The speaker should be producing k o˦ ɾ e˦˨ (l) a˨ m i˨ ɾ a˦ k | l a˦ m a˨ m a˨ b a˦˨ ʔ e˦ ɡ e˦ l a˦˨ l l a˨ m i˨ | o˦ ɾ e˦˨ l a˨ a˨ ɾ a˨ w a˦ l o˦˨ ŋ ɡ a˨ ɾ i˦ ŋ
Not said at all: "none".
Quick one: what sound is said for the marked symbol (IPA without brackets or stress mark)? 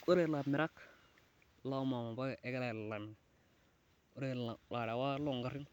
l